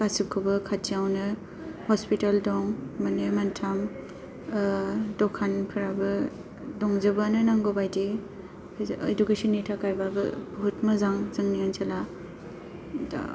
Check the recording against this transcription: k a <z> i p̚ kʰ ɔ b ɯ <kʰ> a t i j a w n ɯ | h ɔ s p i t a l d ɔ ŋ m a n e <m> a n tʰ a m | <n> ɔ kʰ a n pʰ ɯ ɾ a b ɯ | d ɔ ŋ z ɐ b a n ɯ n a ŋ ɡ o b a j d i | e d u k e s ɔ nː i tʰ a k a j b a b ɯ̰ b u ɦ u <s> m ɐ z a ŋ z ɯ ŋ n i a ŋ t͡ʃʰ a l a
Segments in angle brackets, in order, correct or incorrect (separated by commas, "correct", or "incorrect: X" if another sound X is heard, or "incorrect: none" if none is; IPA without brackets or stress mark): incorrect: s, correct, correct, incorrect: d, incorrect: t